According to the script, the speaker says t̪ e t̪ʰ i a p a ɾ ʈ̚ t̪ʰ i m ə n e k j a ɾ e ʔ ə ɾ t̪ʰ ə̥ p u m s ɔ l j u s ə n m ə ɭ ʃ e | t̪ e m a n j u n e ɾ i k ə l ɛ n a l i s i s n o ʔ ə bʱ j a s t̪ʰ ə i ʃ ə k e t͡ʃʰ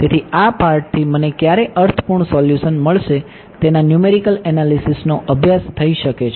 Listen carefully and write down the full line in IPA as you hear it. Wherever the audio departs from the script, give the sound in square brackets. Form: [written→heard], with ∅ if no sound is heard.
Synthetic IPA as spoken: t̪ e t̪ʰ i a p a ɾ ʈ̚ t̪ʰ i m ə n e k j a ɾ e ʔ ə ɾ t̪ʰ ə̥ p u [m→ɳ] s ɔ l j u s ə n m ə ɭ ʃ e | t̪ e [m→n] a n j u [n→m] e ɾ i k ə l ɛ n a l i s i s n o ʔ ə bʱ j a s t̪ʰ ə i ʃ ə k e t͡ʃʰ